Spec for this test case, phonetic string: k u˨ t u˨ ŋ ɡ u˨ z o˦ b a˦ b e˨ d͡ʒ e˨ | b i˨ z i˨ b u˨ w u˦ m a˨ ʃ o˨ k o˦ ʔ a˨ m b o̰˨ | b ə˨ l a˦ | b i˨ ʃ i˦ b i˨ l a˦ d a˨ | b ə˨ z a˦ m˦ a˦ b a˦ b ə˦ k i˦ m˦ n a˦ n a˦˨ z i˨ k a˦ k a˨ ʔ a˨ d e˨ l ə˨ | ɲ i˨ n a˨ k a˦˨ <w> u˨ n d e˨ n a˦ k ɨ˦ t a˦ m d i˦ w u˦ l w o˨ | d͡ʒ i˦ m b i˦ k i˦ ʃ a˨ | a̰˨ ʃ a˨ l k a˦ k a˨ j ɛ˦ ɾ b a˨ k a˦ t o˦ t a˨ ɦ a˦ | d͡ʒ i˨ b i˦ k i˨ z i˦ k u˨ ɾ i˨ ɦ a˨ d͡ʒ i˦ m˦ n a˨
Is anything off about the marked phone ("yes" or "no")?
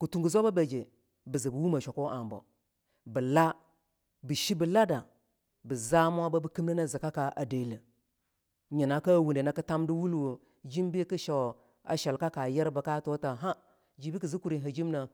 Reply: no